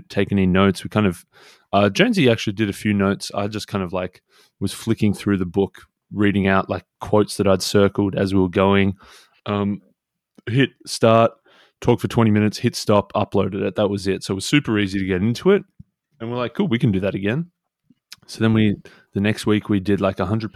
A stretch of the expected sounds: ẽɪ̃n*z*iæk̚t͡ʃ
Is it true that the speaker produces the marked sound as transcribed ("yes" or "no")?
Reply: yes